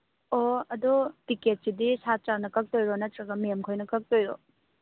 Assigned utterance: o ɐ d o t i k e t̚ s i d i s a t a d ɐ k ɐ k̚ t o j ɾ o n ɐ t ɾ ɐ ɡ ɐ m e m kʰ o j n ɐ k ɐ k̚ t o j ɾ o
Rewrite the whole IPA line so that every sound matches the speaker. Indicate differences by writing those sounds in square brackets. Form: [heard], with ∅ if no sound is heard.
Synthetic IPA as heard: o ɐ d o t i k e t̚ s i d i s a [t͡ʃ] a [n] ɐ k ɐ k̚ t o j ɾ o n ɐ t ɾ ɐ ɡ ɐ m e m kʰ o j n ɐ k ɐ k̚ t o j ɾ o